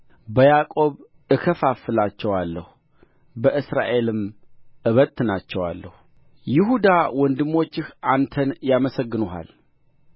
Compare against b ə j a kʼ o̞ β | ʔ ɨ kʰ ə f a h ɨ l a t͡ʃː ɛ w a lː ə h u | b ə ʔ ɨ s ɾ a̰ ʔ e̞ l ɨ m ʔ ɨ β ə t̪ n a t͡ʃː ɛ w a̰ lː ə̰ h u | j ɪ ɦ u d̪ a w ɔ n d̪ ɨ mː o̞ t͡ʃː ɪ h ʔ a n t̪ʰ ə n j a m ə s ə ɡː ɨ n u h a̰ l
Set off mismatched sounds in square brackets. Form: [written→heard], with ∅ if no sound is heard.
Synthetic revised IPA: b ə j a kʼ o̞ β | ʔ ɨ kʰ ə f a [h→f] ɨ l a t͡ʃː ɛ w a lː ə h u | b ə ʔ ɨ s ɾ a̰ ʔ e̞ l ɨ m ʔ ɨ β ə t̪ n a t͡ʃː ɛ w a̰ lː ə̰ h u | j ɪ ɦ u d̪ a w ɔ n d̪ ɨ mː o̞ t͡ʃː ɪ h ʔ a n t̪ʰ ə n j a m ə s ə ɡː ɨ n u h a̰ l